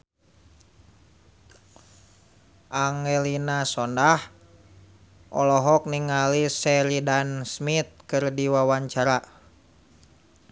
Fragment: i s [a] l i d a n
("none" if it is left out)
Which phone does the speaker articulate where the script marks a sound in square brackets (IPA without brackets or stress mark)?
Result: ɛ